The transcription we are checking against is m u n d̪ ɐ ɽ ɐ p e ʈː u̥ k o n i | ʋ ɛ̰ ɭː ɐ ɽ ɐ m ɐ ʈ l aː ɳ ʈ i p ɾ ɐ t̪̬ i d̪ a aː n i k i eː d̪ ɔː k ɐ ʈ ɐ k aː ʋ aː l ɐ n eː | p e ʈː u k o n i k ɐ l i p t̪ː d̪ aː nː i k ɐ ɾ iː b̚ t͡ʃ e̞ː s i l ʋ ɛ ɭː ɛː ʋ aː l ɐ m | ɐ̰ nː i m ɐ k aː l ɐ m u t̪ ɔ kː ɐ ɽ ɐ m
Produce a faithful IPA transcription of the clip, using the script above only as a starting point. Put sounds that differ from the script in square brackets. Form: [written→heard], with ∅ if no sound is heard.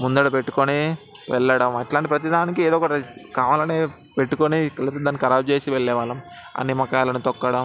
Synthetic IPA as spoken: m u n d̪ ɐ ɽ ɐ p e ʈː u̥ k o n i | ʋ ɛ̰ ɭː ɐ ɽ ɐ m ɐ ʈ l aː ɳ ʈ i p ɾ ɐ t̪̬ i d̪ a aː n i k i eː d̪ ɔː k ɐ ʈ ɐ k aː ʋ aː l ɐ n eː | p e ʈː u k o n i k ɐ l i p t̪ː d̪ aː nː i k ɐ ɾ [iː→aː] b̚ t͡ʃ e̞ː s i [l→∅] ʋ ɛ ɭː ɛː ʋ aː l ɐ m | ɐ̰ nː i m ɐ k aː l ɐ [m→n] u t̪ ɔ kː ɐ ɽ ɐ m

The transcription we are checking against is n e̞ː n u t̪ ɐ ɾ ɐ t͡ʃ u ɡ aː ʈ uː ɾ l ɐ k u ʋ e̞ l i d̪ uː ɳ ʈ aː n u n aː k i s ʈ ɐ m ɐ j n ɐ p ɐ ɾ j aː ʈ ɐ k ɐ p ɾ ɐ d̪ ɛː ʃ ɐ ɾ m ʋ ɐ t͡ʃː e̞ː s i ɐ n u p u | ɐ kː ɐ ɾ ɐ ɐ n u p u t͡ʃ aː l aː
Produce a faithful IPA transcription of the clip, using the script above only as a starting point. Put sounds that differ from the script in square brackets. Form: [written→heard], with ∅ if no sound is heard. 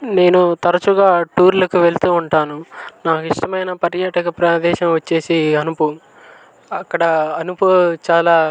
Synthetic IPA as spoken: n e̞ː n u t̪ ɐ ɾ ɐ t͡ʃ u ɡ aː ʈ uː ɾ l ɐ k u ʋ e̞ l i [d̪→t̪] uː ɳ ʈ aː n u n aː k i [s→ʂ] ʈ ɐ m ɐ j n ɐ p ɐ ɾ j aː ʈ ɐ k ɐ p ɾ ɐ d̪ ɛː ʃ ɐ [ɾ→∅] m ʋ ɐ t͡ʃː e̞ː s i ɐ n u p u | ɐ kː ɐ [ɾ→ɽ] ɐ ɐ n u p u t͡ʃ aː l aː

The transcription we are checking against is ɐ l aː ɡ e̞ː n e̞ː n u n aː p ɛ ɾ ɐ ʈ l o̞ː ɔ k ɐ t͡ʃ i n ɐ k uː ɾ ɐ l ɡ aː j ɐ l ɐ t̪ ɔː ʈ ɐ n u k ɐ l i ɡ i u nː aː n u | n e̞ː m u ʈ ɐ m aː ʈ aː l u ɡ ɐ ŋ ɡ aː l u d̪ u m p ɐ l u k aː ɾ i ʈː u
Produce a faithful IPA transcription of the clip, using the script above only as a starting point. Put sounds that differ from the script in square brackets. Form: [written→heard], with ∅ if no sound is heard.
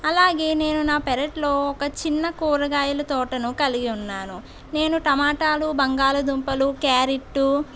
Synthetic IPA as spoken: ɐ l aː ɡ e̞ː n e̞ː n u n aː p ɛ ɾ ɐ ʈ l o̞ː ɔ k ɐ t͡ʃ i [n→nː] ɐ k uː ɾ ɐ [l→∅] ɡ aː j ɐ l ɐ t̪ ɔː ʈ ɐ n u k ɐ l i ɡ i u nː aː n u | n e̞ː [m→n] u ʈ ɐ m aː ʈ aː l u [ɡ→b] ɐ ŋ ɡ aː l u d̪ u m p ɐ l u k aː ɾ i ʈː u

